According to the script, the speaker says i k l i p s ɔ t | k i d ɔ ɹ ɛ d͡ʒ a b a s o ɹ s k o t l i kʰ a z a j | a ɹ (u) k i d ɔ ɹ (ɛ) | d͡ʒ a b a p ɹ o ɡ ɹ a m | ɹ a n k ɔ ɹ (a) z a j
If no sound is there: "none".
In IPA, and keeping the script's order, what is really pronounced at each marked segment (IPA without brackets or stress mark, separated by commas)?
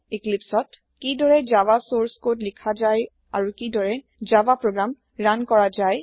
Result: u, ɛ, a